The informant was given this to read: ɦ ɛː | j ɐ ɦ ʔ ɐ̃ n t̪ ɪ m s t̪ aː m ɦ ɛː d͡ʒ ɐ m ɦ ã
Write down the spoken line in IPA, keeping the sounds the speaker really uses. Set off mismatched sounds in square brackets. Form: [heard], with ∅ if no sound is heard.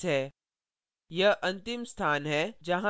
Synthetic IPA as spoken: ɦ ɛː | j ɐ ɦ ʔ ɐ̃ n t̪ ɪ m s [t̪ʰ] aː [n] ɦ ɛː d͡ʒ ɐ [∅] ɦ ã